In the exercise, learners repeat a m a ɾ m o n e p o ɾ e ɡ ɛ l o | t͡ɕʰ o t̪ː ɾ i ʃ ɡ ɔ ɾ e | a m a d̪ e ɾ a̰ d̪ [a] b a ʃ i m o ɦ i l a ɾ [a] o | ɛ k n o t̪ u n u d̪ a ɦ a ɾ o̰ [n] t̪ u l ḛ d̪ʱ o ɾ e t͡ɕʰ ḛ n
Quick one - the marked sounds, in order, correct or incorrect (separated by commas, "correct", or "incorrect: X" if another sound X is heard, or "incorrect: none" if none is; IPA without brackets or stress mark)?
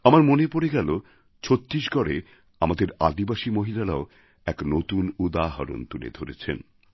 incorrect: i, correct, correct